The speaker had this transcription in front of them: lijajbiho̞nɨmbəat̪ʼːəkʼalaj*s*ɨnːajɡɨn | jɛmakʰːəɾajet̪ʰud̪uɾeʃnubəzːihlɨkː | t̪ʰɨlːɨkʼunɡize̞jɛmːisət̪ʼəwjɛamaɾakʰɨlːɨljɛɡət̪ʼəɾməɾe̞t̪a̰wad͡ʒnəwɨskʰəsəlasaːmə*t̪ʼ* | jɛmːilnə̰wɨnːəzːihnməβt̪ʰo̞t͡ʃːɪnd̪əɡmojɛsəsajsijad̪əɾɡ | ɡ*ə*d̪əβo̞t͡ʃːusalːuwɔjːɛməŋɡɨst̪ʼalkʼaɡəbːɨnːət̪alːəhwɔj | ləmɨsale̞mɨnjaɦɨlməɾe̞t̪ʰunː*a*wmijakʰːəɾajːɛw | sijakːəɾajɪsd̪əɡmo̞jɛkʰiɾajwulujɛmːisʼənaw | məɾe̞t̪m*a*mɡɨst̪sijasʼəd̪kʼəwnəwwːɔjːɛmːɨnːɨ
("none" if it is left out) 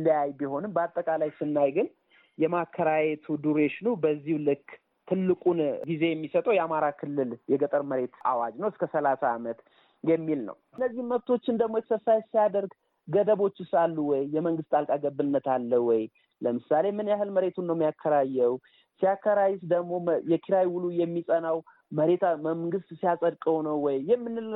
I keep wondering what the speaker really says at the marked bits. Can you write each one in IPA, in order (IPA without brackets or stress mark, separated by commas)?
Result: s, t̪, ə, ə, ə